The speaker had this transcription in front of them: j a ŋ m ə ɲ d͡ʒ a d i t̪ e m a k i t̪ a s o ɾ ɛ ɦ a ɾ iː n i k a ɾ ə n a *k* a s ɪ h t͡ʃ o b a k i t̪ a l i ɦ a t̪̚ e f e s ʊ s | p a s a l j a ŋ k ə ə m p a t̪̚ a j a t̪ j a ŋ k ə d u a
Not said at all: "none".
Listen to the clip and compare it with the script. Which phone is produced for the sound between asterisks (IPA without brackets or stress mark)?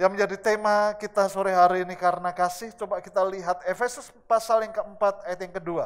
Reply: k